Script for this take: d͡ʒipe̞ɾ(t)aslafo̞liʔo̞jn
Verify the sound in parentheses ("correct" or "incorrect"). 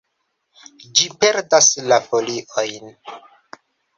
incorrect